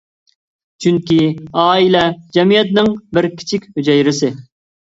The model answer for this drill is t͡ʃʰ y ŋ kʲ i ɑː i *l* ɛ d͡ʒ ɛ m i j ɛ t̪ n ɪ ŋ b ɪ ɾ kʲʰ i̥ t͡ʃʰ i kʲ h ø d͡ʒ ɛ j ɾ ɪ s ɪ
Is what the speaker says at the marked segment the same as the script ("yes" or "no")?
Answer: yes